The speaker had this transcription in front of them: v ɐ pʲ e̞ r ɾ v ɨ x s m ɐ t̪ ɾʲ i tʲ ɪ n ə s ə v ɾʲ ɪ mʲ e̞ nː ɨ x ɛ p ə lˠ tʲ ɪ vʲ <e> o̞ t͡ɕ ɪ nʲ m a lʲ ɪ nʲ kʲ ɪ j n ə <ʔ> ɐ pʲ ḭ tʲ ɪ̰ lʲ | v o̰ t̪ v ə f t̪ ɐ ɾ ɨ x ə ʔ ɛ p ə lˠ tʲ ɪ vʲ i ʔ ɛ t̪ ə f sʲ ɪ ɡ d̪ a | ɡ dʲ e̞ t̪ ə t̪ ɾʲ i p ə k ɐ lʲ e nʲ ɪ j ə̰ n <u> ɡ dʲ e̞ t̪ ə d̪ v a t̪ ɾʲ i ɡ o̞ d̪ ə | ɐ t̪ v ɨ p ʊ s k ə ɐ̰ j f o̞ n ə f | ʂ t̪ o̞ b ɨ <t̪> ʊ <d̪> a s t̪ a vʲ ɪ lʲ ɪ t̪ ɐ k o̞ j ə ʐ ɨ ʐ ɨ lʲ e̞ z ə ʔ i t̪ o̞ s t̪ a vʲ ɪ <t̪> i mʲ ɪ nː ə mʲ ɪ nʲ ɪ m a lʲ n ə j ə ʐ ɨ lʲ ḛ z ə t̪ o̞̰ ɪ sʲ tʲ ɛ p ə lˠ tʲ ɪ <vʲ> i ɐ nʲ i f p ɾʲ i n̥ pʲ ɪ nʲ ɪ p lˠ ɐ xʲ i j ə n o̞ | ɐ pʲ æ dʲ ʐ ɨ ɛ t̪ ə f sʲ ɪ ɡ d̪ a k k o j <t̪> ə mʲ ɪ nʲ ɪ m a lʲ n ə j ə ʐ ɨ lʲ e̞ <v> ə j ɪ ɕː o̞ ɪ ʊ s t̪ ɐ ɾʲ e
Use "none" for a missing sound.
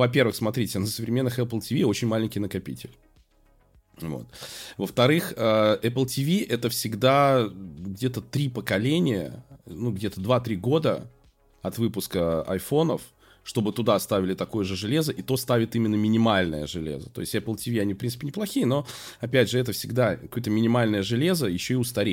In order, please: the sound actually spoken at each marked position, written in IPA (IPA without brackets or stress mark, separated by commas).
i, k, u, t̪, d̪, t̪, vʲ, t̪, z